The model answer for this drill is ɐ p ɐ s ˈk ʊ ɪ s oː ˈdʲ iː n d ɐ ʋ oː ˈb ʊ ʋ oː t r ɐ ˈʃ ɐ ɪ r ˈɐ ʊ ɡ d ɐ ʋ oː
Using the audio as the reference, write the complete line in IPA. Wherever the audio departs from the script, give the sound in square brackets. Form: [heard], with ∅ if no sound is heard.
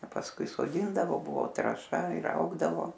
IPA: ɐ p ɐ s ˈk ʊ ɪ s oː ˈdʲ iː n d ɐ ʋ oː ˈb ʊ ʋ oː t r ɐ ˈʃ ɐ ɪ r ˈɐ ʊ ɡ d ɐ ʋ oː